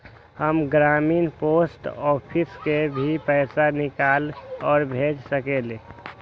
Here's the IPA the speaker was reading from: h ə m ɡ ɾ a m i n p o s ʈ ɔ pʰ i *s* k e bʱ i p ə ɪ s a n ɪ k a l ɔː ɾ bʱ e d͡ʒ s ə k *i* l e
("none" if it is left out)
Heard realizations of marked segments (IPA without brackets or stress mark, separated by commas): s, e